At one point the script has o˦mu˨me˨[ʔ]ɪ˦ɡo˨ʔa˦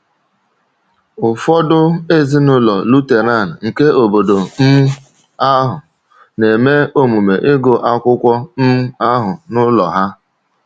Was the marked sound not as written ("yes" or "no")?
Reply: no